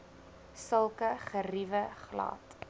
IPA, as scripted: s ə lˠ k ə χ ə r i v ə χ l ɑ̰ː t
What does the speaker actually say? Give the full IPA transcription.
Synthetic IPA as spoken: s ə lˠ k ə χ ə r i v ə χ l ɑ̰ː t